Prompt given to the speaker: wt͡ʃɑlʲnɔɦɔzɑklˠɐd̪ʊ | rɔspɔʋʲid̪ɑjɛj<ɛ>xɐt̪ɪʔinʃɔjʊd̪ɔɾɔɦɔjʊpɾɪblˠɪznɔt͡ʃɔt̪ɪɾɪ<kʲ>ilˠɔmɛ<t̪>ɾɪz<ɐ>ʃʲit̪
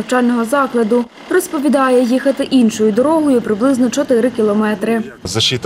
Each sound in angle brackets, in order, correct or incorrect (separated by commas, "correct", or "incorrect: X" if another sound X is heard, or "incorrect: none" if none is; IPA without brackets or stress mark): incorrect: i, correct, correct, correct